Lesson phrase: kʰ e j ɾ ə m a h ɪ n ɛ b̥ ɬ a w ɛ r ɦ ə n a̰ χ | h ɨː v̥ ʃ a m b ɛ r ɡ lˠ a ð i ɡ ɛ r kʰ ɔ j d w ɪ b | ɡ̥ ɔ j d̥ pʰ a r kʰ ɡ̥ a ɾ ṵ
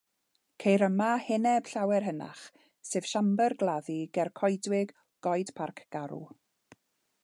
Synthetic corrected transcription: kʰ e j ɾ ə m a h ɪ n ɛ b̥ ɬ a w ɛ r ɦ ə n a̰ χ | s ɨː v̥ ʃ a m b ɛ r ɡ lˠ a ð i ɡ ɛ r kʰ ɔ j d w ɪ ɡ | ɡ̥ ɔ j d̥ pʰ a r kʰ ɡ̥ a ɾ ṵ